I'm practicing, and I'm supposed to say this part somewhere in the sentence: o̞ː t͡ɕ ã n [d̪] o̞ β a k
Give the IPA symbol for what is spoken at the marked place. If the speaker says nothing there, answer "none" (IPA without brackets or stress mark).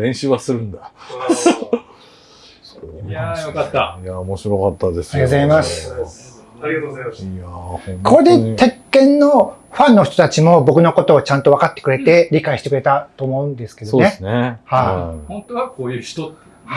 t̪